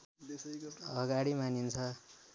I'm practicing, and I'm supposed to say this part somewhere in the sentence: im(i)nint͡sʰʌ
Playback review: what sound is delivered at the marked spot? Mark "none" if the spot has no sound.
a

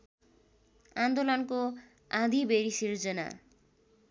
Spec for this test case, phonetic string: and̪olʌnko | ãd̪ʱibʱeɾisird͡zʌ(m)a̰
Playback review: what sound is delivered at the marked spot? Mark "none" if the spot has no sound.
n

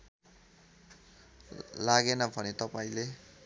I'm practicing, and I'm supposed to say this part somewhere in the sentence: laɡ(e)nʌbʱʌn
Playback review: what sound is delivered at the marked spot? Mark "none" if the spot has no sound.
e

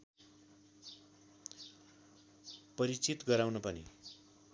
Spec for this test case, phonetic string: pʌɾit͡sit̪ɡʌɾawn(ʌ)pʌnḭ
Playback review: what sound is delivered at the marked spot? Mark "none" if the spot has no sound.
ʌ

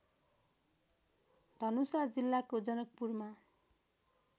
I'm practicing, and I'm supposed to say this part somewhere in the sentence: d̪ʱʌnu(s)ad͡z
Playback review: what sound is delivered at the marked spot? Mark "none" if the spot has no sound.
s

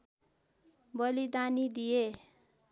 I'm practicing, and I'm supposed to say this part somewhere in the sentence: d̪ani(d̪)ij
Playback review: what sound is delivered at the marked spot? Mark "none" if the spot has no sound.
d̪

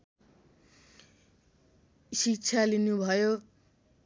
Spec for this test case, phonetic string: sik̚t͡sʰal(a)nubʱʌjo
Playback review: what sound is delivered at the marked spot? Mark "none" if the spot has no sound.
i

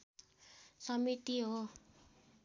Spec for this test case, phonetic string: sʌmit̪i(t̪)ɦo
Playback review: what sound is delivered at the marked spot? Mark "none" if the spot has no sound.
none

